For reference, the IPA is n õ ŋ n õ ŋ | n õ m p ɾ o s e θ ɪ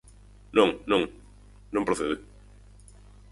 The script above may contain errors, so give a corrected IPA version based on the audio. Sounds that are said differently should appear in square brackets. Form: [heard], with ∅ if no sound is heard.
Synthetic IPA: n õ ŋ n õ ŋ | n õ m p ɾ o [θ] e [ð] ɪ